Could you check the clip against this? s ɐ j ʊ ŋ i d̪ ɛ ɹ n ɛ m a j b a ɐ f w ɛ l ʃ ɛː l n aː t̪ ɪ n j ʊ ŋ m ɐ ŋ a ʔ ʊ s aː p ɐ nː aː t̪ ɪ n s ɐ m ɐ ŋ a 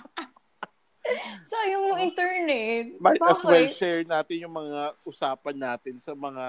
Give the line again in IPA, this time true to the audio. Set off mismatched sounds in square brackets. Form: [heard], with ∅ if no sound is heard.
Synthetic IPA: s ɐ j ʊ ŋ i [t̪] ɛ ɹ n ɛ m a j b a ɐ [s] w ɛ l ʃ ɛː [ɹ] n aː t̪ ɪ n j ʊ ŋ m ɐ ŋ a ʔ ʊ s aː p ɐ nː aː t̪ ɪ n s ɐ m ɐ ŋ a